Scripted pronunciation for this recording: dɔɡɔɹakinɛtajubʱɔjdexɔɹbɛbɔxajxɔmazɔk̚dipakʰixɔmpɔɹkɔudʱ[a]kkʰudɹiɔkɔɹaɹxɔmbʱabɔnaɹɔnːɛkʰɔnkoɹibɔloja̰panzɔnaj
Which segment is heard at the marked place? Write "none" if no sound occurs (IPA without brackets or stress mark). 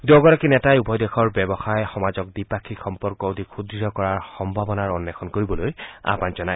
i